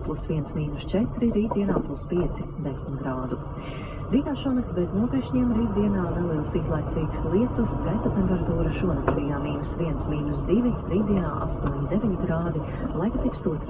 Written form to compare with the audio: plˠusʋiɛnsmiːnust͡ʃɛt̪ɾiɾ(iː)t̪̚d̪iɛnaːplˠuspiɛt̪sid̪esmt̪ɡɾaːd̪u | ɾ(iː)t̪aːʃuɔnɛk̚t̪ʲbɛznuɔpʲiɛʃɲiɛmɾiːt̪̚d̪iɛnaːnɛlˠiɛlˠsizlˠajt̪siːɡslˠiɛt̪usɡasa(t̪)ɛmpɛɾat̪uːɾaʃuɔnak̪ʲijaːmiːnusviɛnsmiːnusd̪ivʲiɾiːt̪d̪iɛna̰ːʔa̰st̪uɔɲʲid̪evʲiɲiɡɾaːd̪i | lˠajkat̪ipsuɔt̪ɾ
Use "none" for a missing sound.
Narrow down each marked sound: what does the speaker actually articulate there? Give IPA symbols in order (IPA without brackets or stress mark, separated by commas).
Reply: iː, iː, t̪